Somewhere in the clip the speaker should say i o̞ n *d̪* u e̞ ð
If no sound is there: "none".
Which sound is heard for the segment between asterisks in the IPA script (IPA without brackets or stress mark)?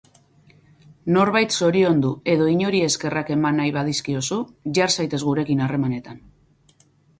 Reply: d̪